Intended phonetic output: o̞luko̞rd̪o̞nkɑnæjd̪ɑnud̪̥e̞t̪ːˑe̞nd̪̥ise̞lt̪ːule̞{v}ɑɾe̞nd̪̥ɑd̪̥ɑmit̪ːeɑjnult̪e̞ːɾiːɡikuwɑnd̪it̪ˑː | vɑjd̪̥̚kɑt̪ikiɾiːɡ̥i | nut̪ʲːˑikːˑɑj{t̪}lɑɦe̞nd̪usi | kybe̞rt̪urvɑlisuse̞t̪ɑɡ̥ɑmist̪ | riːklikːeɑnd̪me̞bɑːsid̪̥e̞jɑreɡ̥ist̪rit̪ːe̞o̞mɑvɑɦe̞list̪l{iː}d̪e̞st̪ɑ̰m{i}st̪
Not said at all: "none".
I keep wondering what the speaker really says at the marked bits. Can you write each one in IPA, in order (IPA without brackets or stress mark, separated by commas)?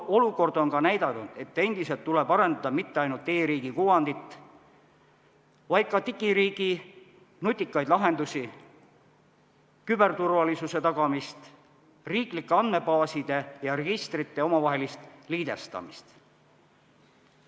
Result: b, d̪, iː, i